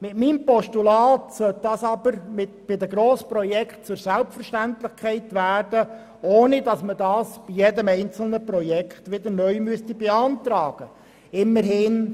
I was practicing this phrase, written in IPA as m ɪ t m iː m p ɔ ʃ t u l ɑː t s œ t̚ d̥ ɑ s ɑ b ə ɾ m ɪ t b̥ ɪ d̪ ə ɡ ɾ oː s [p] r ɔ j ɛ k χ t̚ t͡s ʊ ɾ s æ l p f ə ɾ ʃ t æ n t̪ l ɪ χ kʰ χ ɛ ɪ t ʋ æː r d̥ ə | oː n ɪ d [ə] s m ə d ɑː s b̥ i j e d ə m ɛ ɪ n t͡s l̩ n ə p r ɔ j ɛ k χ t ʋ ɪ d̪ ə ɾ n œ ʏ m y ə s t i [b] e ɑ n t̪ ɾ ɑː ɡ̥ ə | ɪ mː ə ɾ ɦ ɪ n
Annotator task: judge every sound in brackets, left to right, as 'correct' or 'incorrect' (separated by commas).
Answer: correct, incorrect, correct